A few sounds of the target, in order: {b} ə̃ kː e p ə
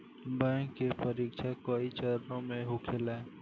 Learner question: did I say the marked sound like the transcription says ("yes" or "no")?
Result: yes